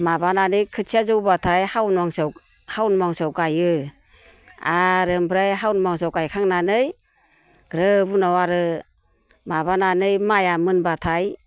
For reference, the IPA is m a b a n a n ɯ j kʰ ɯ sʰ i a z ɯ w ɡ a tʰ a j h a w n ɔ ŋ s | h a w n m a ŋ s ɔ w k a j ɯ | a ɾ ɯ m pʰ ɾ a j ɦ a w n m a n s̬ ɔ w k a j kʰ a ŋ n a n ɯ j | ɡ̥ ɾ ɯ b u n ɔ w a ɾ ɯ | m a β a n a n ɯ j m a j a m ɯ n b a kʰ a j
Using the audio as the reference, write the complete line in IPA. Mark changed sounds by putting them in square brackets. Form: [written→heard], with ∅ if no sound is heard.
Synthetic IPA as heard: m a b a n a n ɯ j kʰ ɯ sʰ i a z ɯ w [ɡ→b] a tʰ a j h a w n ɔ ŋ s | h a w n m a ŋ s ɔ w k a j ɯ | a ɾ ɯ m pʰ ɾ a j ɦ a w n m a [n→ŋ] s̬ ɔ w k a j kʰ a ŋ n a n ɯ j | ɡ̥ ɾ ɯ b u n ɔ w a ɾ ɯ | m a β a n a n ɯ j m a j a m ɯ n b a [kʰ→tʰ] a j